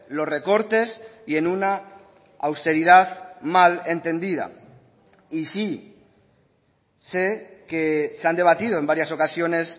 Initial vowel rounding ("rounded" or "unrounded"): rounded